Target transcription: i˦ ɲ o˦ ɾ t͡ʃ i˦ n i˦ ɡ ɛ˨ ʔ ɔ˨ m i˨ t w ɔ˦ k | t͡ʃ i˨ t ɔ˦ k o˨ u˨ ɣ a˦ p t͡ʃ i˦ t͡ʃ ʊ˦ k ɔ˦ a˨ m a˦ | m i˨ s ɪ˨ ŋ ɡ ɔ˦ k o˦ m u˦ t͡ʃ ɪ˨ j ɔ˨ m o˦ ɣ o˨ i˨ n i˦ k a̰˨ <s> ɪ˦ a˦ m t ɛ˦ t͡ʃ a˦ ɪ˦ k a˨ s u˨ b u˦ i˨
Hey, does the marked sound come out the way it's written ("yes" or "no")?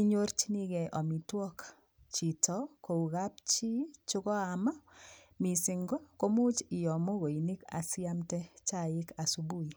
yes